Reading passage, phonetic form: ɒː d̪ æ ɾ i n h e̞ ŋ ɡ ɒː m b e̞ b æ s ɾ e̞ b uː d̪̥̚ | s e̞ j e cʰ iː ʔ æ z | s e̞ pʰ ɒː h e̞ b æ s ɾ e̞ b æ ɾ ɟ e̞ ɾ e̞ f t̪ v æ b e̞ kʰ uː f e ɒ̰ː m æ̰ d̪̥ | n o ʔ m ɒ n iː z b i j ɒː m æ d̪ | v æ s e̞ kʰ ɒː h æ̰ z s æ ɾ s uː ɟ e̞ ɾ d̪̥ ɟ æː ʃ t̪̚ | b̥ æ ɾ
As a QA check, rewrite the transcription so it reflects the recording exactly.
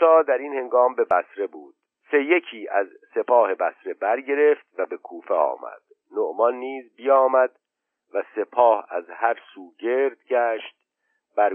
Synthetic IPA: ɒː d̪ æ ɾ i n h e̞ ŋ ɡ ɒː m b e̞ b æ s ɾ e̞ b uː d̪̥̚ | s e̞ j e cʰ iː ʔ æ z | s e̞ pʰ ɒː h e̞ b æ s ɾ e̞ b æ ɾ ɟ e̞ ɾ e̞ f t̪ v æ b e̞ kʰ uː f e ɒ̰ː m æ̰ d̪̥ | n o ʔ m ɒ nː iː z b i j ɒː m æ d̪ | v æ s e̞ pʰ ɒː h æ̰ z h æ ɾ s uː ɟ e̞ ɾ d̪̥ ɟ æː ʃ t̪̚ | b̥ æ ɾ